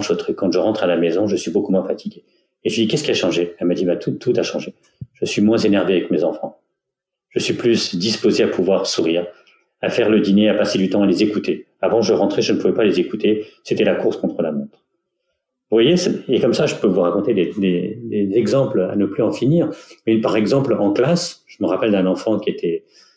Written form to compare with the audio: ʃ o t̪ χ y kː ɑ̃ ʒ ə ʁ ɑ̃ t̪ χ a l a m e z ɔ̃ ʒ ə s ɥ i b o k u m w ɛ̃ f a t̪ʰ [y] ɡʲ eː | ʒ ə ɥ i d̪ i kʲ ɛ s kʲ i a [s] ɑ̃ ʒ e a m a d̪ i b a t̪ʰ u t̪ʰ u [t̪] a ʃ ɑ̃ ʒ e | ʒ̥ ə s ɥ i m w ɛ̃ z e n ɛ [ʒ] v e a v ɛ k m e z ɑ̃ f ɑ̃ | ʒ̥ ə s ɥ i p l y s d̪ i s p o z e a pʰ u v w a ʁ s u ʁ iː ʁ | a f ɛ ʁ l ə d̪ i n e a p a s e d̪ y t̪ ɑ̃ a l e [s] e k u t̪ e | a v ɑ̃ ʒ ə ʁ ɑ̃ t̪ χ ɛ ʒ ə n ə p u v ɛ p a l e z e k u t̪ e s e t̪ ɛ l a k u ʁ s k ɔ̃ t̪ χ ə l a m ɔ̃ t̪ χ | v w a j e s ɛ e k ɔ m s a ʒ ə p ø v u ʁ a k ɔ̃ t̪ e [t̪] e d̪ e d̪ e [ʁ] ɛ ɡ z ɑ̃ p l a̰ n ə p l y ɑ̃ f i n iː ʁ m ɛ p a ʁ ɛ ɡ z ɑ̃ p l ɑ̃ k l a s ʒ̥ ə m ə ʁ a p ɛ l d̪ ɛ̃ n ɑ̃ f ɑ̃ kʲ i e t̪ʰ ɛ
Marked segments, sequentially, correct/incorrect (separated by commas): incorrect, incorrect, correct, incorrect, incorrect, incorrect, incorrect